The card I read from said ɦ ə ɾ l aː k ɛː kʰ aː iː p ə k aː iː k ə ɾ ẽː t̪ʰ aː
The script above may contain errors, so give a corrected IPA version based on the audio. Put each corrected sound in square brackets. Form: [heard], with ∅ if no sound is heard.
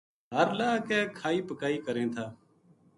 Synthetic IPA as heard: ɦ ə ɾ l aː k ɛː kʰ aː iː p ə k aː iː k ə ɾ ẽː t̪ʰ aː